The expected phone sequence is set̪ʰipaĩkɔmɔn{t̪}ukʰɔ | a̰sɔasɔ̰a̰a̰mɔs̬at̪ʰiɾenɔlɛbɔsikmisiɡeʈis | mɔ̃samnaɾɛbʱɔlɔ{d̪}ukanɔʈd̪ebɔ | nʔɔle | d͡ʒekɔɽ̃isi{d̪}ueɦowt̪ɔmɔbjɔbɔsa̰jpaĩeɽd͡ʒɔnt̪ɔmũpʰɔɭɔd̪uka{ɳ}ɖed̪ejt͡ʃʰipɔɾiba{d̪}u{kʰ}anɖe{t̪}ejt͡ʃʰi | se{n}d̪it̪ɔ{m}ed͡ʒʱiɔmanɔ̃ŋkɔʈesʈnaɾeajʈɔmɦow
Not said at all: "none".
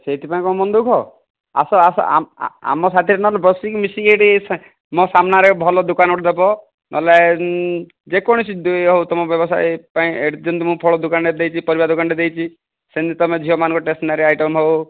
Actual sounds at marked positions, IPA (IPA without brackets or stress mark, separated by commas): d̪, d̪, d̪, n, d̪, k, d̪, n, m